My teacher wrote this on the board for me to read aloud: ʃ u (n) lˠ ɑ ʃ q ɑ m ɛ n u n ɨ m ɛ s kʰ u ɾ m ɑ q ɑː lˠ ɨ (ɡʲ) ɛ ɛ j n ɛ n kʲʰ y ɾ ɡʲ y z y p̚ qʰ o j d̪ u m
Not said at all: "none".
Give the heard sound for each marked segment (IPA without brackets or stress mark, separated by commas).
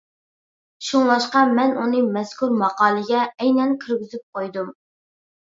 ŋ, ɡʲ